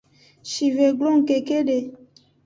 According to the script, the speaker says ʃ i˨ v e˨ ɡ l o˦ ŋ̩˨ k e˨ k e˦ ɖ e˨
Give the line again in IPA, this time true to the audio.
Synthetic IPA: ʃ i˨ v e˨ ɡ l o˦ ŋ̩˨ k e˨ k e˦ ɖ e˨